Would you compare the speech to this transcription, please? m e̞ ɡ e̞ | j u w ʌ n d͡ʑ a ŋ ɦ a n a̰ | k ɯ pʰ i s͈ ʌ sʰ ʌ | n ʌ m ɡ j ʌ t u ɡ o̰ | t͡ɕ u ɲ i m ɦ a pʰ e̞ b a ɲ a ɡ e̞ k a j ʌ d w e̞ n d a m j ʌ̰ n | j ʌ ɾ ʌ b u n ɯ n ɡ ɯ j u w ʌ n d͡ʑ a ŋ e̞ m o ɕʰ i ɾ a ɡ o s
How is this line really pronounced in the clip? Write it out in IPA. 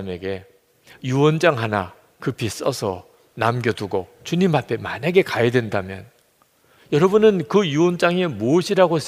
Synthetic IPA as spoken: m e̞ ɡ e̞ | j u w ʌ n d͡ʑ a ŋ ɦ a n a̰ | k ɯ pʰ i s͈ ʌ sʰ ʌ | n a m ɡ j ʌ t u ɡ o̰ | t͡ɕ u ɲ i m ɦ a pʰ e̞ m a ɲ a ɡ e̞ k a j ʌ d w e̞ n d a m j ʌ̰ n | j ʌ ɾ ʌ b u n ɯ n k ɯ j u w ʌ n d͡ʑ a ŋ e̞ m o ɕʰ i ɾ a ɡ o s